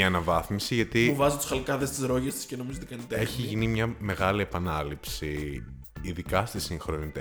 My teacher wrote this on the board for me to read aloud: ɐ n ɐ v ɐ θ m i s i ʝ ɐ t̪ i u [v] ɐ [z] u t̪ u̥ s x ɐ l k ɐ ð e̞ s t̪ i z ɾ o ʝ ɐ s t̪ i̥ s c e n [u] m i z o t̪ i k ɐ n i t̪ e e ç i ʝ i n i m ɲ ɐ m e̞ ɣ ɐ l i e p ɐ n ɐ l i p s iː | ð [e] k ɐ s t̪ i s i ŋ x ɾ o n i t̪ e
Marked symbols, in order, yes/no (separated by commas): yes, yes, no, no